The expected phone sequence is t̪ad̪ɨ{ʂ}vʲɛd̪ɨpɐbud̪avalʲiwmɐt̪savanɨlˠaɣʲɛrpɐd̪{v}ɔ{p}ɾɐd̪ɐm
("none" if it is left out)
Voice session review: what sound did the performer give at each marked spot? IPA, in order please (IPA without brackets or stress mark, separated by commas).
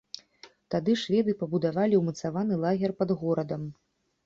ʂ, ɣ, none